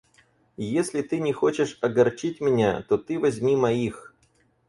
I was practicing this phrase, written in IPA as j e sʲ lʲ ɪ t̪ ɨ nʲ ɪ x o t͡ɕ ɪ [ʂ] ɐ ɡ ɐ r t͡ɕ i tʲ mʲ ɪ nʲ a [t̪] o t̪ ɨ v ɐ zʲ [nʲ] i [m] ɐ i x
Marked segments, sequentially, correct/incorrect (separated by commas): correct, correct, incorrect, correct